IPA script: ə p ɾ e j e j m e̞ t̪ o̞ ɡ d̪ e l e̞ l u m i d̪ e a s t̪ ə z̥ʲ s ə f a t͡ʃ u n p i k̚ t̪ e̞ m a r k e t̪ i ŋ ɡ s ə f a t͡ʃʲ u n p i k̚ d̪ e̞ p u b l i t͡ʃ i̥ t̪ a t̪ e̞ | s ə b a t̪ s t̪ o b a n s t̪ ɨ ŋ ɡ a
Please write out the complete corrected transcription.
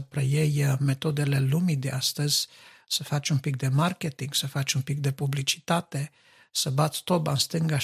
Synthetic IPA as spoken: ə p ɾ e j e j m e̞ t̪ o̞ d̪ e l e̞ l u m i d̪ e a s t̪ ə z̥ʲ s ə f a t͡ʃ u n p i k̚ d̪ e̞ m a r k e t̪ i ŋ ɡ s ə f a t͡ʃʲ u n p i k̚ d̪ e̞ p u b l i t͡ʃ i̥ t̪ a t̪ e̞ | s ə b a t̪ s t̪ o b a n s t̪ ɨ ŋ ɡ a